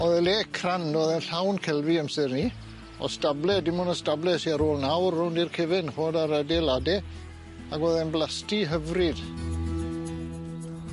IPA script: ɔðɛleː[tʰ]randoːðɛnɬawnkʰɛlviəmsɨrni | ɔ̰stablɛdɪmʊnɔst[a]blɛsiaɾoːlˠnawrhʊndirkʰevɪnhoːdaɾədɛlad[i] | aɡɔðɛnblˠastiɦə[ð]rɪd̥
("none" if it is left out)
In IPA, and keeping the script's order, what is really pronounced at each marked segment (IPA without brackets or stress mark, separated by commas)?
kʰ, a, ɛ, v